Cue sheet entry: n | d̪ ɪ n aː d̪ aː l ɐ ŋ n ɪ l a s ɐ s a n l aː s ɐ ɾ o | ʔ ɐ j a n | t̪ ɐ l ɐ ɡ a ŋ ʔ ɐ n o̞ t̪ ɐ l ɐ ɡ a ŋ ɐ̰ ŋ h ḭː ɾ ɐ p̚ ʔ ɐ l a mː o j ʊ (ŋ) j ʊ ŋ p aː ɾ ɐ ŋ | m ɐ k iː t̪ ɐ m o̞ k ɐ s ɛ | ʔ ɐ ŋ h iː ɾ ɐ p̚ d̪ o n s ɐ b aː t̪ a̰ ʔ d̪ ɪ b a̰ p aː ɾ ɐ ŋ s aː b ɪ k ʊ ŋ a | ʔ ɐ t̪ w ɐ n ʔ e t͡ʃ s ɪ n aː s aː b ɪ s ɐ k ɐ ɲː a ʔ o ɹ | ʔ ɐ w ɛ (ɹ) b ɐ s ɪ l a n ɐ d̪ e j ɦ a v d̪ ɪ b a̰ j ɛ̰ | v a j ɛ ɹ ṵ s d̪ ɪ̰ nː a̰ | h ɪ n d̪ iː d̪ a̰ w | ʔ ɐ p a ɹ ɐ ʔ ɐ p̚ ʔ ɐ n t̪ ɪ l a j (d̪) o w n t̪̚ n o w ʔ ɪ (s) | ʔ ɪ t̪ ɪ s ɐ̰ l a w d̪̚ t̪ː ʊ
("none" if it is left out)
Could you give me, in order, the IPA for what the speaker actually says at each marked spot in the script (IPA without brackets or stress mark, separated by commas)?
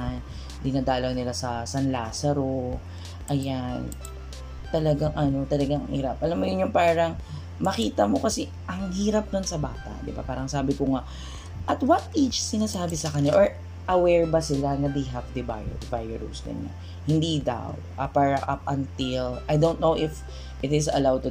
n, ɹ, d̪, f